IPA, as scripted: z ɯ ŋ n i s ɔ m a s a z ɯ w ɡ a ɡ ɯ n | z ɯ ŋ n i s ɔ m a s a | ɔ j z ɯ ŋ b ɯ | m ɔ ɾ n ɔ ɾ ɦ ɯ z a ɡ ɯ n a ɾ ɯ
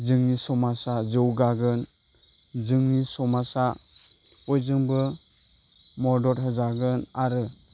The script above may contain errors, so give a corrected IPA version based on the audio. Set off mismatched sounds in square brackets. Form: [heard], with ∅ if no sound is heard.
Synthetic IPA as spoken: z ɯ ŋ n i s ɔ m a s a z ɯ w ɡ a ɡ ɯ n | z ɯ ŋ n i s ɔ m a s a | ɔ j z ɯ ŋ b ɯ | m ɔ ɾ [d] ɔ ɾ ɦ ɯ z a ɡ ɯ n a ɾ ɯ